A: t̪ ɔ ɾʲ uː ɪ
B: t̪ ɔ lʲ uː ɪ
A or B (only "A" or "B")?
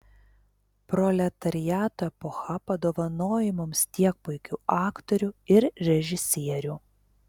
A